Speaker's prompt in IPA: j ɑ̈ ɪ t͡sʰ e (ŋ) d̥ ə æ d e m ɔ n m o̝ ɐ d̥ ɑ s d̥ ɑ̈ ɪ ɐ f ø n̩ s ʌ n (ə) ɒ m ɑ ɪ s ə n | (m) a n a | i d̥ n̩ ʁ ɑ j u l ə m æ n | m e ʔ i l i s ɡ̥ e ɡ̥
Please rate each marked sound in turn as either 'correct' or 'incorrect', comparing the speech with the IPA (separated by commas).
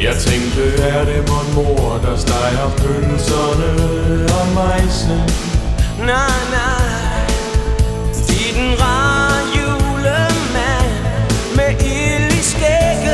correct, correct, incorrect